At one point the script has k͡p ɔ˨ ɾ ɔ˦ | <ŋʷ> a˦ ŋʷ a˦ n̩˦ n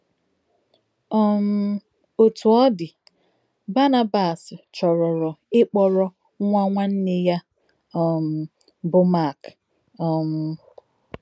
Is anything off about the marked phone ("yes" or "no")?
no